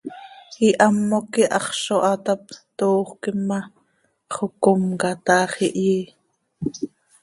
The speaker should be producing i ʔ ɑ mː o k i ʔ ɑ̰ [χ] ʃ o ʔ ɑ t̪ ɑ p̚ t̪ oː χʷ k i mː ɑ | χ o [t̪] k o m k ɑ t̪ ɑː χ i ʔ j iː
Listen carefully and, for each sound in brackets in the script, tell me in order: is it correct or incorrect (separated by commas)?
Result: correct, incorrect